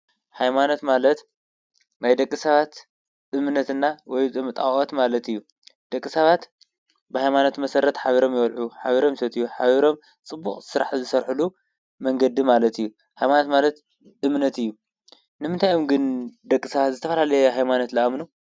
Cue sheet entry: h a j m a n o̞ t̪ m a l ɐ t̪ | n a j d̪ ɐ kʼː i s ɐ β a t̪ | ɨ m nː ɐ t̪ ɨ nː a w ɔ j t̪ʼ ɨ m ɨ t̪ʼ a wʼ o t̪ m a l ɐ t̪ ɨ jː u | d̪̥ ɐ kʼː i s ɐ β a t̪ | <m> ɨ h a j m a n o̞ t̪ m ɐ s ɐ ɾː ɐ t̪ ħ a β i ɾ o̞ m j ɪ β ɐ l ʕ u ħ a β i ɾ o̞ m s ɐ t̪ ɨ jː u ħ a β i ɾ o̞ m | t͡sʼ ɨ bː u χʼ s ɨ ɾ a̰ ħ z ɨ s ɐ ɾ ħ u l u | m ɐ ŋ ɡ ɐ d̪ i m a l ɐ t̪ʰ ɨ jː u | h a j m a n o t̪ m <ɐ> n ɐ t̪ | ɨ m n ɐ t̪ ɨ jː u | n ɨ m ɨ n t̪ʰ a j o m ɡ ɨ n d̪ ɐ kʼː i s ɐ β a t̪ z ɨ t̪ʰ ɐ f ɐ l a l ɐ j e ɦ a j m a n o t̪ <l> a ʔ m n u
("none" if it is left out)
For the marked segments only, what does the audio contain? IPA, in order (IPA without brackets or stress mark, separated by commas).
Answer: b, a, l